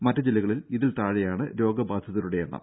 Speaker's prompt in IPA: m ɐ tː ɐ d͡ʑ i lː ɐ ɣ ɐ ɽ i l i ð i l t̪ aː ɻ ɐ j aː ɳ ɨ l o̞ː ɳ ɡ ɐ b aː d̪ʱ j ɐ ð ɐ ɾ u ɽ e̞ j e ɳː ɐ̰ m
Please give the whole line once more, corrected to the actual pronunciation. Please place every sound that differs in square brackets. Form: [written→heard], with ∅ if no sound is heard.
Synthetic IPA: m ɐ tː ɐ d͡ʑ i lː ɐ ɣ ɐ [ɽ→ɭ] i l i ð i l t̪ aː ɻ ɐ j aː ɳ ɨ [l→ɾ] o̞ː [ɳ→∅] ɡ ɐ b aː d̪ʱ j ɐ ð ɐ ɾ u ɽ e̞ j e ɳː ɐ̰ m

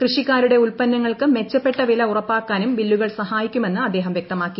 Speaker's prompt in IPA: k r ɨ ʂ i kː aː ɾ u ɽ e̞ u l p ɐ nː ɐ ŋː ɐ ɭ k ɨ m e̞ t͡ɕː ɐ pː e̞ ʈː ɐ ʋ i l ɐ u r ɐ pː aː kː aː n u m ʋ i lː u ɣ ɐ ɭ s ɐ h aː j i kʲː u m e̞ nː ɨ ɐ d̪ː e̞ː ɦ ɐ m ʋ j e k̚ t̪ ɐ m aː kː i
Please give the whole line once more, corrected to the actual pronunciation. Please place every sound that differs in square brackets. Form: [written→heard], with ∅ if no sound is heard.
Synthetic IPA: k r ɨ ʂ i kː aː ɾ u ɽ e̞ u l p ɐ nː ɐ ŋː ɐ ɭ k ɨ m e̞ t͡ɕː ɐ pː e̞ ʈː ɐ ʋ i l ɐ u r ɐ pː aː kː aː n u m ʋ i lː u ɣ ɐ ɭ s ɐ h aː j i kʲː u m e̞ nː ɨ ɐ d̪ː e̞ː ɦ ɐ m ʋ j e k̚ t̪ ɐ m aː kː i

